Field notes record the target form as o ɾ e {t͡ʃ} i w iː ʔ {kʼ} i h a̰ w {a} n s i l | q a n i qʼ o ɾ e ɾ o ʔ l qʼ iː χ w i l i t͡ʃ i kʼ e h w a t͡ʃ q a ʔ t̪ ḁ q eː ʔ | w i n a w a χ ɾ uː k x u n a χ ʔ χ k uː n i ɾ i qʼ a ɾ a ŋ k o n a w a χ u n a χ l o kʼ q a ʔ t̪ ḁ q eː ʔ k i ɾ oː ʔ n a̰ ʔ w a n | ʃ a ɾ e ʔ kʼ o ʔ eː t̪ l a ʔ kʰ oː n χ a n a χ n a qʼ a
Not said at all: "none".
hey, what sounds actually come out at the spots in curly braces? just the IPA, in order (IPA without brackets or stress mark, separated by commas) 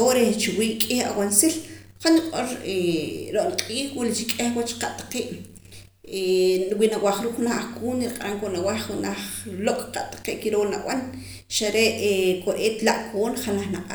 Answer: t͡ʃ, kʼ, a